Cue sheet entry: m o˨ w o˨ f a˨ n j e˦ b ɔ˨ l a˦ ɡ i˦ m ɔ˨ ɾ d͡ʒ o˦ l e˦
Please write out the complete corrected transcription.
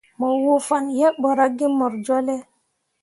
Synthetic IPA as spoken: m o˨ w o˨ f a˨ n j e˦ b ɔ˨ ɾ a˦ ɡ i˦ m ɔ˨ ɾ d͡ʒ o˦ l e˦